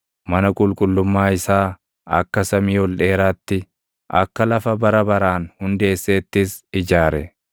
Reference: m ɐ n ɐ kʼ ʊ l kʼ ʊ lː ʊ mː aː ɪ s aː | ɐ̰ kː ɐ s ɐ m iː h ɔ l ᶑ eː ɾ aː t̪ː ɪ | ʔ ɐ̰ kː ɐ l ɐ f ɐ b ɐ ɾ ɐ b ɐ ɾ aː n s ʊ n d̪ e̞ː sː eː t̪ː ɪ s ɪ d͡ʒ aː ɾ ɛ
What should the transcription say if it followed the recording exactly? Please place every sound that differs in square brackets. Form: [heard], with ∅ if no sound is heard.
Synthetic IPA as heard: m ɐ n ɐ kʼ ʊ l kʼ ʊ lː ʊ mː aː ɪ s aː | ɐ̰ kː ɐ s ɐ m iː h ɔ l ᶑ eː ɾ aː t̪ː ɪ | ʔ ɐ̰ kː ɐ l ɐ f ɐ b ɐ ɾ ɐ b ɐ ɾ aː n [h] ʊ n d̪ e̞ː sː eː t̪ː ɪ s ɪ d͡ʒ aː ɾ ɛ